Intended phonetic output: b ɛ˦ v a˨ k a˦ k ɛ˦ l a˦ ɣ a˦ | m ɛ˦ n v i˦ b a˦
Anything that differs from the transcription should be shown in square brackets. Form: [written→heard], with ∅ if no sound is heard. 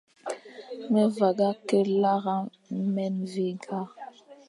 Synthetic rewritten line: [b→m] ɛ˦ v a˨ [k→ɡ] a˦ k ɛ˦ l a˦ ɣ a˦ | m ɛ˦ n v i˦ [b→ɡ] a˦